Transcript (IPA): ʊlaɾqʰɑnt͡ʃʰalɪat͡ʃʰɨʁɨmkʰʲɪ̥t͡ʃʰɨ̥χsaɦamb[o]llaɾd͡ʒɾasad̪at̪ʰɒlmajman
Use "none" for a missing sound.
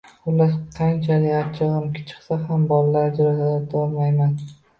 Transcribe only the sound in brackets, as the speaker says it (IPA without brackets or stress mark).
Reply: ɒ